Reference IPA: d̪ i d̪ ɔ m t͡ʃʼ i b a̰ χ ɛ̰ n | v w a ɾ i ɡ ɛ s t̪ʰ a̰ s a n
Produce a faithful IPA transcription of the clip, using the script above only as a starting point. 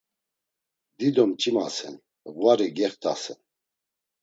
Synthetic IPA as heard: d̪ i d̪ ɔ m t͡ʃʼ i m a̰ s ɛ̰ n | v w a ɾ i ɡ ɛ χ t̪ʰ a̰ s ɛ n